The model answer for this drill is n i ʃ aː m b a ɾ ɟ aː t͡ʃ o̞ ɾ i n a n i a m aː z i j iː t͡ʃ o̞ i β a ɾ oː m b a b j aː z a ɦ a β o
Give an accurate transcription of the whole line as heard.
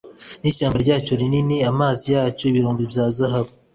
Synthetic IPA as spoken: n i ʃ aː m b a ɾ ɟ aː t͡ʃ o̞ ɾ i n i n i a m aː z i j aː t͡ʃ o̞ i β i ɾ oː m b i b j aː z a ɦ a β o